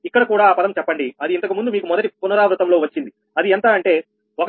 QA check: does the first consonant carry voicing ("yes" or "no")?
no